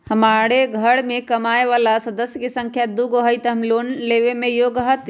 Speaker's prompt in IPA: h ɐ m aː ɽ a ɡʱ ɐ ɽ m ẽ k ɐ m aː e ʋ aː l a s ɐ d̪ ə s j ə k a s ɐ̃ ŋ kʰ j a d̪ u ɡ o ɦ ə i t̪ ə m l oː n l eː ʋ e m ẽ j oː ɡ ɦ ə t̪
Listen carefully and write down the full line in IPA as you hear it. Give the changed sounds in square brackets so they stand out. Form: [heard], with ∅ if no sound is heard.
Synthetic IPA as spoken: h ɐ m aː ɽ [e] ɡʱ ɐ ɽ m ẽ k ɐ m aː e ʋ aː l a s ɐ d̪ ə s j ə k [e] s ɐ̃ ŋ kʰ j a d̪ u ɡ o ɦ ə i t̪ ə m l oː n l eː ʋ e m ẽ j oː ɡ ɦ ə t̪